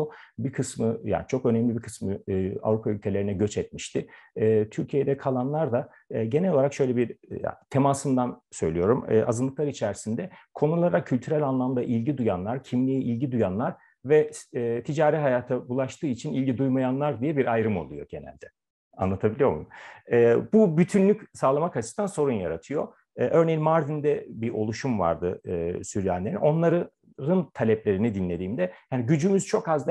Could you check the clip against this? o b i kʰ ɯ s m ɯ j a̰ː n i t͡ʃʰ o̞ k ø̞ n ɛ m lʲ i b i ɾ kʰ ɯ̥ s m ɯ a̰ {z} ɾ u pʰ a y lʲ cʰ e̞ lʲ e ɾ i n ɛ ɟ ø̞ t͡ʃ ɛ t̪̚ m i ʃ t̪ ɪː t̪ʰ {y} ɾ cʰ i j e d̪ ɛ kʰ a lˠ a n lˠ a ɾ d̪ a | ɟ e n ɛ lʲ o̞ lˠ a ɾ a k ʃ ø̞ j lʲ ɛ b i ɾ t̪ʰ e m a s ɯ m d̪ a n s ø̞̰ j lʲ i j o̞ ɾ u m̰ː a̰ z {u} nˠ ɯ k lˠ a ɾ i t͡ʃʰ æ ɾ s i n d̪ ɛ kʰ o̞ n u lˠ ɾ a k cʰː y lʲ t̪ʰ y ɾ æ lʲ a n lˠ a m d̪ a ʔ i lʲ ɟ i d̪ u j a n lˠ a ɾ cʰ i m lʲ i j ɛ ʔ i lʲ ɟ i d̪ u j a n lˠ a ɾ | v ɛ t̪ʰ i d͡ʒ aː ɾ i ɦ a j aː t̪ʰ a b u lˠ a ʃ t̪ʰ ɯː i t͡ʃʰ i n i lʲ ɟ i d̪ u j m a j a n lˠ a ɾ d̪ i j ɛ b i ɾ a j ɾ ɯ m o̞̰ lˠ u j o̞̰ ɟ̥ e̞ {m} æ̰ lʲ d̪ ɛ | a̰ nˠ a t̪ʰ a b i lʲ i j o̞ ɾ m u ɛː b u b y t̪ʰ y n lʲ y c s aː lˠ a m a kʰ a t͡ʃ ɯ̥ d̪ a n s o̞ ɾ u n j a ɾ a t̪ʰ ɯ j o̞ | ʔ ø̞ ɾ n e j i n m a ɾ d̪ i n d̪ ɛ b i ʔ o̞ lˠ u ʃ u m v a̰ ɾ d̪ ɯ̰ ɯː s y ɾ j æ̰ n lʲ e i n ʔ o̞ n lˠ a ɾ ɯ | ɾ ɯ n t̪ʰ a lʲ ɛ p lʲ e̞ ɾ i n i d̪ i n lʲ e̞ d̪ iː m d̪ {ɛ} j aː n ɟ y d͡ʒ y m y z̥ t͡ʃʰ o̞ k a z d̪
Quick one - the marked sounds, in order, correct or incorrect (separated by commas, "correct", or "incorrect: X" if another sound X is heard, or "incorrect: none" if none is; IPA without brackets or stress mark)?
incorrect: v, correct, incorrect: ɯ, incorrect: n, correct